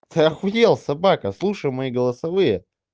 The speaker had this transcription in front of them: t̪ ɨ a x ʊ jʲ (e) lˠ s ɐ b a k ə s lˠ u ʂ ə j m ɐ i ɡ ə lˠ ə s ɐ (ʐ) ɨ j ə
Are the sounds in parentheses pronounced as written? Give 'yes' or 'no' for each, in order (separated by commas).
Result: yes, no